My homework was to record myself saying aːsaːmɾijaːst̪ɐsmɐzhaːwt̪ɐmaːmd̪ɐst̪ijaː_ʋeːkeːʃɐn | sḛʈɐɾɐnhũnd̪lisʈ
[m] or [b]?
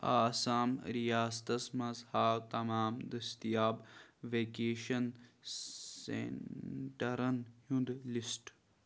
b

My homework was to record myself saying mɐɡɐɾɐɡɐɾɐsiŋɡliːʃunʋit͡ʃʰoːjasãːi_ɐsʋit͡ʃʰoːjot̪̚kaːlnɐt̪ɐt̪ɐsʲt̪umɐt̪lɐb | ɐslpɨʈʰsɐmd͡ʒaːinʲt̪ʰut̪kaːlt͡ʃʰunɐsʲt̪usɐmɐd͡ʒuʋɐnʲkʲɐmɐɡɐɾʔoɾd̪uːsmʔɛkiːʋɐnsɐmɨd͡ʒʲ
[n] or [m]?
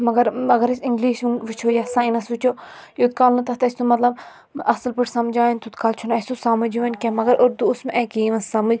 n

